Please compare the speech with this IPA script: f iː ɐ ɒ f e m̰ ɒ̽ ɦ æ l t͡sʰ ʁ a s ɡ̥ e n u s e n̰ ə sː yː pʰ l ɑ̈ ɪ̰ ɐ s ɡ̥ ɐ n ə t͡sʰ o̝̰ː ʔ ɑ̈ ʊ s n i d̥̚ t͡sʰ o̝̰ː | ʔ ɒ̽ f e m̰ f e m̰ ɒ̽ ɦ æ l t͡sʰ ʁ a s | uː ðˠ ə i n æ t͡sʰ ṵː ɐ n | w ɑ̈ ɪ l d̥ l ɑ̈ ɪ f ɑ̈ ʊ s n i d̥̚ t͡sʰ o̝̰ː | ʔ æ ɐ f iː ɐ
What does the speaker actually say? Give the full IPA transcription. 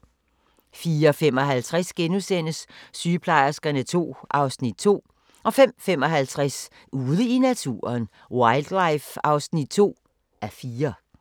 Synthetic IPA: f iː ɐ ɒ f e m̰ ɒ̽ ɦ æ l t͡sʰ ʁ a s ɡ̥ e n u s e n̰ ə sː yː pʰ l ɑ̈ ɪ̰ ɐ s ɡ̥ ɐ n ə t͡sʰ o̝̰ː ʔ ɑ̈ ʊ s n i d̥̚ t͡sʰ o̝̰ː | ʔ ɒ̽ f e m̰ f e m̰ ɒ̽ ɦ æ l t͡sʰ ʁ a s | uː ðˠ ə i n æ t͡sʰ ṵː ɐ n | w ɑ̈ ɪ l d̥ l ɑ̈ ɪ f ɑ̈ ʊ s n i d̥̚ t͡sʰ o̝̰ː | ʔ æ ɐ f iː ɐ